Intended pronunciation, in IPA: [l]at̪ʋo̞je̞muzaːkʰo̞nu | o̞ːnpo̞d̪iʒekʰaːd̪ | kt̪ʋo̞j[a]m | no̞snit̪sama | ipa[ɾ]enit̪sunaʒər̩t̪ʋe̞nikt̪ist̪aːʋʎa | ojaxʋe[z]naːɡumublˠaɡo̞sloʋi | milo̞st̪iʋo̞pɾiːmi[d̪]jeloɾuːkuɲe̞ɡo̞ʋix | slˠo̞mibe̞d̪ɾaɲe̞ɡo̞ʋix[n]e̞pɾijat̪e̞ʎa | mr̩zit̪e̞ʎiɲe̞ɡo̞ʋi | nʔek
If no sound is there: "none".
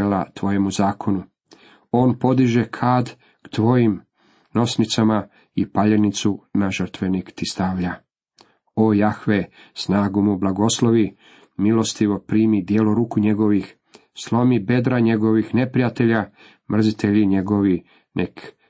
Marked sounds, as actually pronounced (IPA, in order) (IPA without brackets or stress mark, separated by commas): l, i, ʎ, s, d̪, n